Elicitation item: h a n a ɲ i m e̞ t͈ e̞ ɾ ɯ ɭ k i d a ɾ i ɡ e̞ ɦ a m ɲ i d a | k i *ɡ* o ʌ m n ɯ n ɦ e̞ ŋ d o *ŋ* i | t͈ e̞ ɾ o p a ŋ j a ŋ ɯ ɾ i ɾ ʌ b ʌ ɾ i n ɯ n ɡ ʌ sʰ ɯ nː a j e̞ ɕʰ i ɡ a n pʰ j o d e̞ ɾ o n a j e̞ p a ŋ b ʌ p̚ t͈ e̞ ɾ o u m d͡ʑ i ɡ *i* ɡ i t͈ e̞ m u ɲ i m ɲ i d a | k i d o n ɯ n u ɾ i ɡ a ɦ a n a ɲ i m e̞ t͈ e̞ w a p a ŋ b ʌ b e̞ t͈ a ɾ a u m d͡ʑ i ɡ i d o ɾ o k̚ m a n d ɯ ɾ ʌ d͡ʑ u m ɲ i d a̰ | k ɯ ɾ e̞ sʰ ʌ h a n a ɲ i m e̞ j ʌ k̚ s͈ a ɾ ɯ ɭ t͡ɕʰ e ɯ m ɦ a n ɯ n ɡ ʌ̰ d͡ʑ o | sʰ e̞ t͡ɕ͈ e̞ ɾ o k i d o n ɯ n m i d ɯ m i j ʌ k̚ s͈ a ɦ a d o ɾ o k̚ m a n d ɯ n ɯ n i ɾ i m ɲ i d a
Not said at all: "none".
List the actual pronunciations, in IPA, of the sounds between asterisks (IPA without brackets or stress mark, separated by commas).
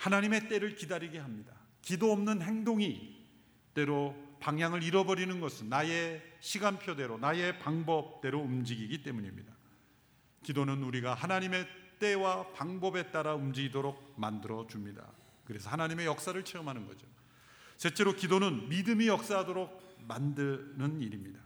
d, ŋ, i